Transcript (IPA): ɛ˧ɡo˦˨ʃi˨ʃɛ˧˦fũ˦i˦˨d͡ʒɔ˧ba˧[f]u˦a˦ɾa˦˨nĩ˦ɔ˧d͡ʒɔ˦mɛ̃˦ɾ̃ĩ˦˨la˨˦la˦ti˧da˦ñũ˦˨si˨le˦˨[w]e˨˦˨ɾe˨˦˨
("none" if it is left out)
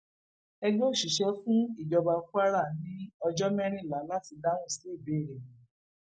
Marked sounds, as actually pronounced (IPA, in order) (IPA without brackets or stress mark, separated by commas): f, b